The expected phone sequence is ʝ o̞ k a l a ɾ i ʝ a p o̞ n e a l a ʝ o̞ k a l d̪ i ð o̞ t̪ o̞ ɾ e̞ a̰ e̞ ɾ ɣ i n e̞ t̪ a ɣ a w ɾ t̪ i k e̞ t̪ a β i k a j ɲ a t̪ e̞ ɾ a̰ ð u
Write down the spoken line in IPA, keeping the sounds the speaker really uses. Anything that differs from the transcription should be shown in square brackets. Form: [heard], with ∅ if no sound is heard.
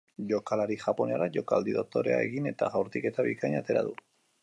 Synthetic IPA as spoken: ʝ o̞ k a l a ɾ i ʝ a p o̞ n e a [ɾ] a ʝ o̞ k a l d̪ i ð o̞ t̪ o̞ ɾ e̞ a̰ e̞ [∅] ɣ i n e̞ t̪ a ɣ a w ɾ t̪ i k e̞ t̪ a β i k a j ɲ a t̪ e̞ ɾ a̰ ð u